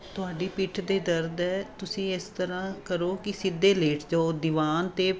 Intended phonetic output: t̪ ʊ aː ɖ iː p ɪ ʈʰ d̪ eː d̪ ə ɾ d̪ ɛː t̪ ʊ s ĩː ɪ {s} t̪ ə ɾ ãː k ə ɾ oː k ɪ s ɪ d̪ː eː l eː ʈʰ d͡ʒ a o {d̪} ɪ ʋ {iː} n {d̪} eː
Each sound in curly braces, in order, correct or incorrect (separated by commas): correct, correct, incorrect, incorrect